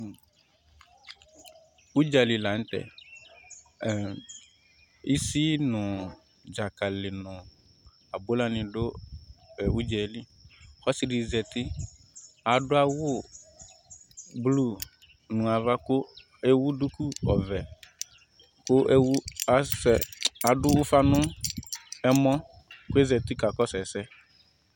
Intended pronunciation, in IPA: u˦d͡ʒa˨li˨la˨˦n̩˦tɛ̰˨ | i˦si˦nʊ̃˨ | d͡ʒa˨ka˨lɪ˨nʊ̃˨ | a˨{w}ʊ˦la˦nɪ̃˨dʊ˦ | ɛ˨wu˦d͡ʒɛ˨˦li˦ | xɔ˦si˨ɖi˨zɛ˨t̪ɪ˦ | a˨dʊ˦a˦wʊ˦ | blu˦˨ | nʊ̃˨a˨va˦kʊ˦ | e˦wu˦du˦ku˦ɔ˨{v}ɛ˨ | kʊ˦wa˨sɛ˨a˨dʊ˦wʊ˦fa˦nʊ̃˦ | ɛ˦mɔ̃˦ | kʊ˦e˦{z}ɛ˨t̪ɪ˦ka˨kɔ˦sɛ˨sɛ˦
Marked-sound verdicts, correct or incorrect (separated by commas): incorrect, correct, correct